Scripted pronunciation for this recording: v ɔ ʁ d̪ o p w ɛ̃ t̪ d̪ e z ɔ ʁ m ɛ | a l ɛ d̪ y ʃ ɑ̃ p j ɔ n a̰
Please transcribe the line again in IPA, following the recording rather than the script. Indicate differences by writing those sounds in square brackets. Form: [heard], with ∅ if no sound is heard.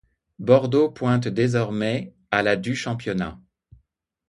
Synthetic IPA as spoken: [b] ɔ ʁ d̪ o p w ɛ̃ t̪ d̪ e z ɔ ʁ m ɛ | a l [a] d̪ y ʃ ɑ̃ p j ɔ n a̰